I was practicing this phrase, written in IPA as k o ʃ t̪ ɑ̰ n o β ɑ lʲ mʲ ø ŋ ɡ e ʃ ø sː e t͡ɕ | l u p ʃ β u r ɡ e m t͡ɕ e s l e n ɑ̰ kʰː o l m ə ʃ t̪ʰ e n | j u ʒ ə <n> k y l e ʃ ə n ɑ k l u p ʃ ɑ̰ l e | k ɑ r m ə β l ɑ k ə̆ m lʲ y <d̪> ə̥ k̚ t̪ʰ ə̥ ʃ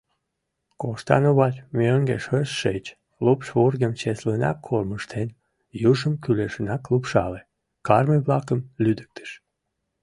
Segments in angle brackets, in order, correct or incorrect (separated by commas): incorrect, correct